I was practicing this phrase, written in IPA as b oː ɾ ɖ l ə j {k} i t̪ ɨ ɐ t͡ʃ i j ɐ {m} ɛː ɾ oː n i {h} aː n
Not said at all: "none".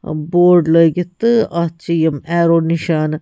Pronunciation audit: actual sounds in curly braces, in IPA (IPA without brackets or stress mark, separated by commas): ɡ, m, ʃ